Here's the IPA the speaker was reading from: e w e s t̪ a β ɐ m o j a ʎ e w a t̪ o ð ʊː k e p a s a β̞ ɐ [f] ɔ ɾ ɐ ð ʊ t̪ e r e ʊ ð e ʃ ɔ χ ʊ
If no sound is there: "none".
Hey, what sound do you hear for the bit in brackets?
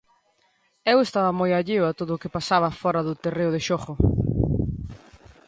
f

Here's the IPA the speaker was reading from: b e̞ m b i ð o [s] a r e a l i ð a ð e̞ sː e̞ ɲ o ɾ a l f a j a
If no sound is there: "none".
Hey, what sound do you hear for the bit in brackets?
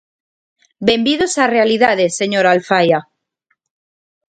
s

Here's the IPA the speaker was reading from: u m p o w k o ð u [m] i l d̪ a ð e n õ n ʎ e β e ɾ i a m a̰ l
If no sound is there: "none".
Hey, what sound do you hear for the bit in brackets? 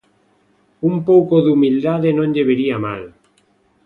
m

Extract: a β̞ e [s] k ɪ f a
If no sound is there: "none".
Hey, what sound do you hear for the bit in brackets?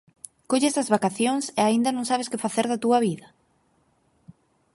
s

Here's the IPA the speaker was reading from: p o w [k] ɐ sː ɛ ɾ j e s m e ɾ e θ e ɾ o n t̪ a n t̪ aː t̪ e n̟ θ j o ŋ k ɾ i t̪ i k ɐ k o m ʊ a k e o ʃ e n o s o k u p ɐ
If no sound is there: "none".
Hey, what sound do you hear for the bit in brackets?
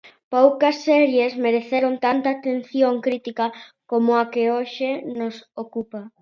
k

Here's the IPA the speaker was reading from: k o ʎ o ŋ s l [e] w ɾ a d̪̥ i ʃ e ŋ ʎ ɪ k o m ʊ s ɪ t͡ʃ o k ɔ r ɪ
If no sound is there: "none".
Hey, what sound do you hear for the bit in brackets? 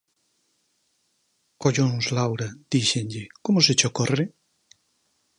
a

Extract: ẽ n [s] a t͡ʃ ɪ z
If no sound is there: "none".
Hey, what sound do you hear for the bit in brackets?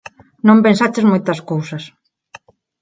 s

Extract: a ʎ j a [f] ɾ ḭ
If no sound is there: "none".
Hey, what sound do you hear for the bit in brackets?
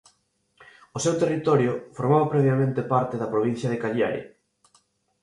none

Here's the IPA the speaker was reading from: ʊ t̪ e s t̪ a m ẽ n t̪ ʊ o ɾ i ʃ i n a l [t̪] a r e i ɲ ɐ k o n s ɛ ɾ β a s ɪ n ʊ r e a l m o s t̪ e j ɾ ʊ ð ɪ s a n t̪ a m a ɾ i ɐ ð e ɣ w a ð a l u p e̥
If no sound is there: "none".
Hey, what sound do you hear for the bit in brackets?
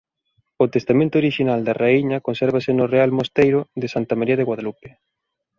d̪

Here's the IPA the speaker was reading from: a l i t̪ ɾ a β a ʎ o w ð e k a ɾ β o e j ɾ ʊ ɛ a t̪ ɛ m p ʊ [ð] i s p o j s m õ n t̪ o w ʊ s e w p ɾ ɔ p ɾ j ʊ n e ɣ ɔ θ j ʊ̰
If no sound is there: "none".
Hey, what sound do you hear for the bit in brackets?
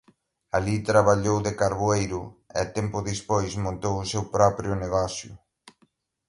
ð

